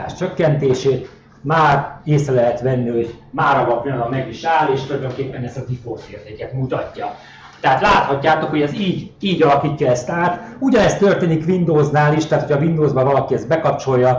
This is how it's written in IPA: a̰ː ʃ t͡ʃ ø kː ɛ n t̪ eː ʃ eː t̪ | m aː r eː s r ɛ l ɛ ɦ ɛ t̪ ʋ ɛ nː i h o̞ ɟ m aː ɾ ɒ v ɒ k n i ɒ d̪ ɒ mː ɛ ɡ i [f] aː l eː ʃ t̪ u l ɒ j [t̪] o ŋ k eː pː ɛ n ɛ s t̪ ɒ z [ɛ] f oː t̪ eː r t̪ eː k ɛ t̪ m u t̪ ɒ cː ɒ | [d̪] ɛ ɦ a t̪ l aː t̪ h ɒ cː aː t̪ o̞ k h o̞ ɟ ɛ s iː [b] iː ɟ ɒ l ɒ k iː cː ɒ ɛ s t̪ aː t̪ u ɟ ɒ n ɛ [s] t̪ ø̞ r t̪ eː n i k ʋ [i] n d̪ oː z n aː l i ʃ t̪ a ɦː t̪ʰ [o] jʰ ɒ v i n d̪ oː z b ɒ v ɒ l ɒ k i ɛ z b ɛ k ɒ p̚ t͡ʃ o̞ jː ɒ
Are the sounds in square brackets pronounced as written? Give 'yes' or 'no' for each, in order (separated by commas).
no, no, no, no, no, yes, yes, yes